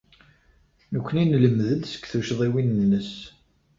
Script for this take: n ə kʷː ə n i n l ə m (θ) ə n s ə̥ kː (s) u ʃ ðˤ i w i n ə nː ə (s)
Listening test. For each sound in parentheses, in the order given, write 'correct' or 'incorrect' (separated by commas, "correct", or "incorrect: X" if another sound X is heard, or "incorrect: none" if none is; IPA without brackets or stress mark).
incorrect: ð, incorrect: θ, correct